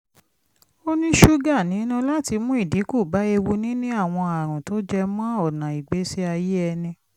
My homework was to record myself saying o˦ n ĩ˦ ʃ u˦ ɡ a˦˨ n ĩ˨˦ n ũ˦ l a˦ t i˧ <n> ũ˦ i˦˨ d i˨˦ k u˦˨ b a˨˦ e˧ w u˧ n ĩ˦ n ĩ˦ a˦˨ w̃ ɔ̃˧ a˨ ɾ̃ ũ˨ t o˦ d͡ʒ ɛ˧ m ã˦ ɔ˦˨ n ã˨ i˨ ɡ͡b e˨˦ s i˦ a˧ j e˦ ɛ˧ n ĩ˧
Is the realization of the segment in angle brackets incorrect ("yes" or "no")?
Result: yes